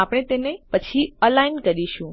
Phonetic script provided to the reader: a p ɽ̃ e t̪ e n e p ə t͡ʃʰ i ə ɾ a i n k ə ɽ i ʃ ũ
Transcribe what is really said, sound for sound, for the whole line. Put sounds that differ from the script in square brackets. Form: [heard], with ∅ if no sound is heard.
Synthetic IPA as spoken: a p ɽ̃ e t̪ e n e p ə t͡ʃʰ i ə [l] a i n k ə [ɾ] i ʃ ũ